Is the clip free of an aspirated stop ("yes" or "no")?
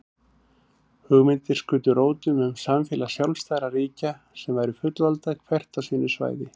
no